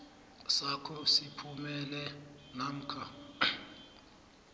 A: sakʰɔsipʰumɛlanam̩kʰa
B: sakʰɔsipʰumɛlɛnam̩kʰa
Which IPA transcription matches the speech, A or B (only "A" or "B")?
B